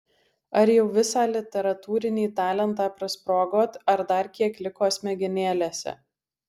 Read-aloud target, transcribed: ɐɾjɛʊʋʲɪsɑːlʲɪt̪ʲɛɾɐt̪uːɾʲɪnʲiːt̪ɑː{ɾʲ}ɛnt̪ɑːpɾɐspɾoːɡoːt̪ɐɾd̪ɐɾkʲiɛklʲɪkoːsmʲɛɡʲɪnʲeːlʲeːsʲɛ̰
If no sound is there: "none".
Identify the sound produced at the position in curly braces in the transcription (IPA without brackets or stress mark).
lʲ